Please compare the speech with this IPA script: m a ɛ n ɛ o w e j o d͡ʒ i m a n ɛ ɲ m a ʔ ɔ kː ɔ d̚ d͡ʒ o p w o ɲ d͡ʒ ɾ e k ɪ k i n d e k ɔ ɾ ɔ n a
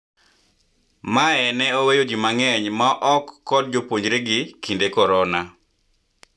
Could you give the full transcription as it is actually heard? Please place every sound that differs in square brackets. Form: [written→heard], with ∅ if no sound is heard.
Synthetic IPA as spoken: m a ɛ n ɛ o w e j o d͡ʒ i m a [n→ŋ] ɛ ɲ m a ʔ ɔ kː ɔ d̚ d͡ʒ o p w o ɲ d͡ʒ ɾ e [k→ɡ] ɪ k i n d e k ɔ ɾ ɔ n a